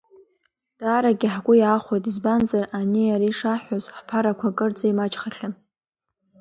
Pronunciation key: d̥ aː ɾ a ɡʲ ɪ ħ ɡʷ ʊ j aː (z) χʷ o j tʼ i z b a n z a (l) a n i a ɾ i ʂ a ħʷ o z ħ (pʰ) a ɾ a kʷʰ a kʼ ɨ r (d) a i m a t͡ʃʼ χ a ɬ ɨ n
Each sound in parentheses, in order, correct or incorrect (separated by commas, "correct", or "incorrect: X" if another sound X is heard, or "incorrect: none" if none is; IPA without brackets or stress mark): incorrect: none, incorrect: r, correct, incorrect: d͡z